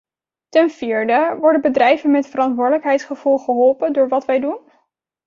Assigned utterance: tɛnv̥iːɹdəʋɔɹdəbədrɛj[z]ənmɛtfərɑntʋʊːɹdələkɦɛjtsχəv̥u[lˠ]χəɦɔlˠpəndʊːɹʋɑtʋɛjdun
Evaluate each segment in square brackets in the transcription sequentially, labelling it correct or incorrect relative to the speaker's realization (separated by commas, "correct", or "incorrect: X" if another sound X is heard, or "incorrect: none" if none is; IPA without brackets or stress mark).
incorrect: v, correct